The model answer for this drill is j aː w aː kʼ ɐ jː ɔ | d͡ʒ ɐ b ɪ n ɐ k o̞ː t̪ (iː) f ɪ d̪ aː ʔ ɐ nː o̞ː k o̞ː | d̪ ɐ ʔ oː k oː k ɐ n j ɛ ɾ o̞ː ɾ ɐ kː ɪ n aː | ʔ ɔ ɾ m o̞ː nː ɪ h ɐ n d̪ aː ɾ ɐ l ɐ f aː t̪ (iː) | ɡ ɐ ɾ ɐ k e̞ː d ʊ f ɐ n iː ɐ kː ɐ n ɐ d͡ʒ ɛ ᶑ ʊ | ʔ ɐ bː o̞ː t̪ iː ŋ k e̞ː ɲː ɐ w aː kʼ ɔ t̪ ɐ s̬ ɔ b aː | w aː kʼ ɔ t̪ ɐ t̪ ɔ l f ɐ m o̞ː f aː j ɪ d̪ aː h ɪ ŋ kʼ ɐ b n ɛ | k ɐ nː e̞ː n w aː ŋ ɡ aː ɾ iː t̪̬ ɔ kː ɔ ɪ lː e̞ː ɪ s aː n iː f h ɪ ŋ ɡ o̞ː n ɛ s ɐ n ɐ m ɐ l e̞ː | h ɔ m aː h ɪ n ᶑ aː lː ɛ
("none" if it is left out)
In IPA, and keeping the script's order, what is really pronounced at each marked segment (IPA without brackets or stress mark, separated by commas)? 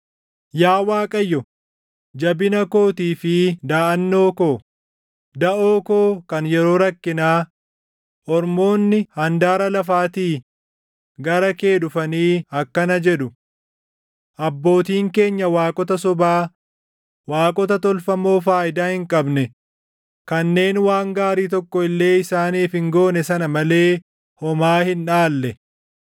iː, iː